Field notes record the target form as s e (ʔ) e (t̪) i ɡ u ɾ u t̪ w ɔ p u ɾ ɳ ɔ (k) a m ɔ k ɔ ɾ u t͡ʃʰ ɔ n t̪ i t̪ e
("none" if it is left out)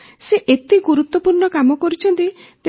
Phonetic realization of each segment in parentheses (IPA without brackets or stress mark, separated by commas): ʔ, t̪, k